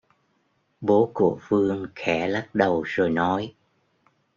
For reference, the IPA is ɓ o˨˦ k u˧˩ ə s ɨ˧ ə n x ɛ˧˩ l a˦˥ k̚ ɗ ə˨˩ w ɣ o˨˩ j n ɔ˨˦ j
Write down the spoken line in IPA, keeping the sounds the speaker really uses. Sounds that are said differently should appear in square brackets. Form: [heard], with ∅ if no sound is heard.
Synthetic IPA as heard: ɓ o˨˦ k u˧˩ ə [f] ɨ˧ ə [ŋ] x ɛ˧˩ l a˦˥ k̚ ɗ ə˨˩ w [z] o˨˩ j n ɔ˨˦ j